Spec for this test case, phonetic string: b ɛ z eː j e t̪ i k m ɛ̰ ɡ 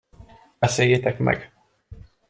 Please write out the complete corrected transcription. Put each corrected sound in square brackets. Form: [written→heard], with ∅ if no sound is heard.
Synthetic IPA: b ɛ [z→s] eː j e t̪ [i→ɛ] k m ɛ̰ ɡ